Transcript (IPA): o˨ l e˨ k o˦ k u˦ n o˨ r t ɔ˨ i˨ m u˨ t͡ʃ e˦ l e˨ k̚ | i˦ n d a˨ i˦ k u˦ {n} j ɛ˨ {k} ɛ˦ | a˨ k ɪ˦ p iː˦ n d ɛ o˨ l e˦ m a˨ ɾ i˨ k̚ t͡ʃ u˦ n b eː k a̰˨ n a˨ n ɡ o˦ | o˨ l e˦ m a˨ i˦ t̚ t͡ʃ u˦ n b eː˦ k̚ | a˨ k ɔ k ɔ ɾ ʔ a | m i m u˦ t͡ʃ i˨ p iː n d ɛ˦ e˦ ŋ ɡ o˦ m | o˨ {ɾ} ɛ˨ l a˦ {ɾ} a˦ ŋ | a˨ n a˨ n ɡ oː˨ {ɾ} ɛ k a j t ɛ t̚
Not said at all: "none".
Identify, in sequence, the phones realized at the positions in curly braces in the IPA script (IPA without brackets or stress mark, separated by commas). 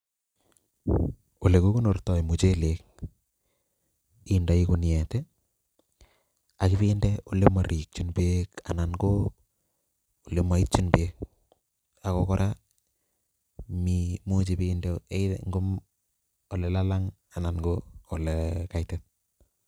n, t, l, l, l